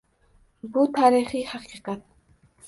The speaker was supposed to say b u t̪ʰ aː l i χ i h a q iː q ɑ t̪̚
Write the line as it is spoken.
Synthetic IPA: b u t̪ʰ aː ɾ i χ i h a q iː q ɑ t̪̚